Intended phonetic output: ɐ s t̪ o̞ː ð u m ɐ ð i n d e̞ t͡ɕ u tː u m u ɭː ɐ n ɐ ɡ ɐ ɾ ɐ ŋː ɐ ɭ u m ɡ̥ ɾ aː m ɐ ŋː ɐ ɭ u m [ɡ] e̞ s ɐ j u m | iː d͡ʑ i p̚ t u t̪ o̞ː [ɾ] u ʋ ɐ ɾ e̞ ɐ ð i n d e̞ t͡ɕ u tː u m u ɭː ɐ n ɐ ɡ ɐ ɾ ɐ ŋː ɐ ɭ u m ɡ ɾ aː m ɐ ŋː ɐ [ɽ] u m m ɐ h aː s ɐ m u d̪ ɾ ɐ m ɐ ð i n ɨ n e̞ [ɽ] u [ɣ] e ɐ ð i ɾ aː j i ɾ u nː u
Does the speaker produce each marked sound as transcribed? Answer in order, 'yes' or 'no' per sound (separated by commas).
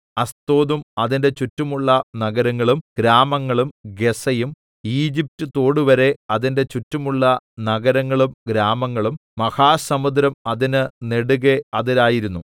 yes, no, no, yes, yes